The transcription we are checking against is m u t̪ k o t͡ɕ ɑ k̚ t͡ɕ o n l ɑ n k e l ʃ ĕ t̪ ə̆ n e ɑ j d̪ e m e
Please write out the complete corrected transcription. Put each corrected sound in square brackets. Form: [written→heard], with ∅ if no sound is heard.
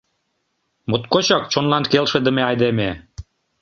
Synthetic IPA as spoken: m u t̪ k o t͡ɕ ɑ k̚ t͡ɕ o n l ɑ n k e l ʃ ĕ [t̪→d̪] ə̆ [n→m] e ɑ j d̪ e m e

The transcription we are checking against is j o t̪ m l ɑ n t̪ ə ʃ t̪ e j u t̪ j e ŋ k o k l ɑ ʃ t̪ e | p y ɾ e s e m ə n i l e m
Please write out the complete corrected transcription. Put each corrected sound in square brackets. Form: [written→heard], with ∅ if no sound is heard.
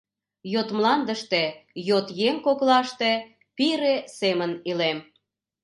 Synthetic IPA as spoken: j o t̪ m l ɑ n [t̪→d̪] ə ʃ t̪ e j [u→o] t̪ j e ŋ k o k l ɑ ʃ t̪ e | p [y→i] ɾ e s e m ə n i l e m

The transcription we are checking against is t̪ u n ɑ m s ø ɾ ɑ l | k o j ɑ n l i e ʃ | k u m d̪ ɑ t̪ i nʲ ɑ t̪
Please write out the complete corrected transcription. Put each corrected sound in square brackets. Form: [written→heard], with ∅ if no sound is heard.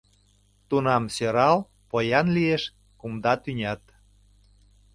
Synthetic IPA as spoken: t̪ u n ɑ m s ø ɾ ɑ l | [k→p] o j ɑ n l i e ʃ | k u m d̪ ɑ t̪ [i→y] nʲ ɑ t̪

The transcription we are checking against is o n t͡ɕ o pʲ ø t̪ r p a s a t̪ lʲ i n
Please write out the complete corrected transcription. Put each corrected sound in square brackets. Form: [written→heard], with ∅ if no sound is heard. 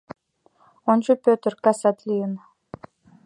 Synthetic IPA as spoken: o n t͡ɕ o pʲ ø t̪ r [p→k] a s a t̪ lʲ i n

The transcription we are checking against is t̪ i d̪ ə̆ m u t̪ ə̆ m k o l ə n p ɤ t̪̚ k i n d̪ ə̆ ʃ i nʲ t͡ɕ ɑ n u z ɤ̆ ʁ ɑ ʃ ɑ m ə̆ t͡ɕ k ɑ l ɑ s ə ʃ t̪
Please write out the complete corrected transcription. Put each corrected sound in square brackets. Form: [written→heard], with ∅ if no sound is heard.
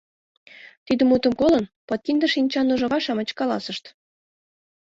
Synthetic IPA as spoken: t̪ i d̪ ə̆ m u t̪ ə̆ m k o l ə n p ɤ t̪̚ k i n d̪ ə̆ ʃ i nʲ t͡ɕ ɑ n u [z→ʒ] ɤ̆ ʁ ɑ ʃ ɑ m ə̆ t͡ɕ k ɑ l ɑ s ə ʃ t̪

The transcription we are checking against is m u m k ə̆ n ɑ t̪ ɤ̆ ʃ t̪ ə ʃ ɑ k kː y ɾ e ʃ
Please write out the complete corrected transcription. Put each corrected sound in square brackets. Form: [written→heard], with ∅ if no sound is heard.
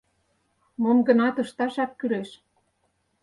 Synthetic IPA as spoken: m [u→o] m [k→ɡ] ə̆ n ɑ t̪ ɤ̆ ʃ t̪ [ə→ɑ] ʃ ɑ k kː y [ɾ→l] e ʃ

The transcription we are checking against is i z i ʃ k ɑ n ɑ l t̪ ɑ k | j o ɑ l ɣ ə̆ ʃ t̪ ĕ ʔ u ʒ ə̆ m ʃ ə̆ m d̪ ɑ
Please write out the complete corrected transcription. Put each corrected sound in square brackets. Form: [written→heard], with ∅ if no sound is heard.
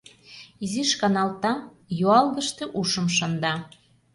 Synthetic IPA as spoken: i z i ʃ k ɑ n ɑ l t̪ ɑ [k→∅] | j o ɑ l ɣ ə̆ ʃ t̪ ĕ ʔ u [ʒ→ʃ] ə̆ m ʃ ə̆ [m→n] d̪ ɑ

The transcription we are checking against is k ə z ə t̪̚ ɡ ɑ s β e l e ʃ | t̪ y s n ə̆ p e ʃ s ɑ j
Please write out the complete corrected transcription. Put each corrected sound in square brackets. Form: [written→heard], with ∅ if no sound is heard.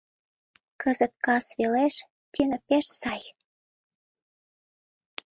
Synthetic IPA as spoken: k ə z ə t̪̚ [ɡ→k] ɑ s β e l e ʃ | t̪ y [s→∅] n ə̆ p e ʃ s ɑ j

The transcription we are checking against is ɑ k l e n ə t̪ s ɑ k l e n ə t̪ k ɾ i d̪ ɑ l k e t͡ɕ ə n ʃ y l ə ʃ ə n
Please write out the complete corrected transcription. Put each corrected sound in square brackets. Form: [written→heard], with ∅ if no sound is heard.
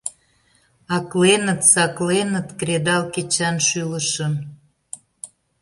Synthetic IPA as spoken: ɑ k l e n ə t̪ s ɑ k l e n ə t̪ k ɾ [i→e] d̪ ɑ l k e t͡ɕ [ə→ɑ] n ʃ y l ə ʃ ə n

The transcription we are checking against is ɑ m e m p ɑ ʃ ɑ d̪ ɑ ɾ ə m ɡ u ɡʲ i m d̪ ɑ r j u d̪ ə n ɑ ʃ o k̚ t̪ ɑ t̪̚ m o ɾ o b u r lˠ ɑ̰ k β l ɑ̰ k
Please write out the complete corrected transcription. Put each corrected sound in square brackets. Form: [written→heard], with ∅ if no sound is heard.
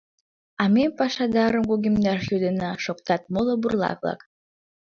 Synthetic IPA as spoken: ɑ m e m p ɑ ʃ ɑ d̪ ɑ ɾ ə m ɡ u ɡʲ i m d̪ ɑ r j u d̪ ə n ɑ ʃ o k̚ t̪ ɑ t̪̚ m o [ɾ→l] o b u r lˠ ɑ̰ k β l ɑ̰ k

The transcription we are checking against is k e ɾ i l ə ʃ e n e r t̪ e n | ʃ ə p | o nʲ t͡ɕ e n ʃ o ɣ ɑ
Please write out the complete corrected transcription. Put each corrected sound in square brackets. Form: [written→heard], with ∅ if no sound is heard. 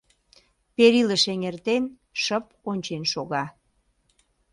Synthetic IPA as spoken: [k→p] e ɾ i l ə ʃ e [n→ŋ] e r t̪ e n | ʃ ə p | o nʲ t͡ɕ e n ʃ o ɣ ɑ

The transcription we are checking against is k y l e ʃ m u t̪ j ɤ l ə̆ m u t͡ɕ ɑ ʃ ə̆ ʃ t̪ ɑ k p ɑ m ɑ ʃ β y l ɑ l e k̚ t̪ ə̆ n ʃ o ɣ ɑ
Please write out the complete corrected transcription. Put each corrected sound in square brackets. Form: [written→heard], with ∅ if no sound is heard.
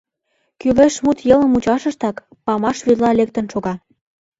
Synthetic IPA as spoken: k y l e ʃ m u t̪ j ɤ l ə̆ m u t͡ɕ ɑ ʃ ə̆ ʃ t̪ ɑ k p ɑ m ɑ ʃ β y l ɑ l e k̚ t̪ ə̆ n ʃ o ɣ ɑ

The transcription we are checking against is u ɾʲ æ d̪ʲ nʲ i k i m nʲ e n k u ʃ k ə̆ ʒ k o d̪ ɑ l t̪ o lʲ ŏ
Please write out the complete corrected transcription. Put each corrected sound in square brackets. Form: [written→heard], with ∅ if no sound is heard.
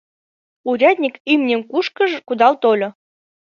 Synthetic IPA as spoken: u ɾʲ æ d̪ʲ nʲ i k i m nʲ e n k u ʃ k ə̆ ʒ k [o→u] d̪ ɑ l t̪ o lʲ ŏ

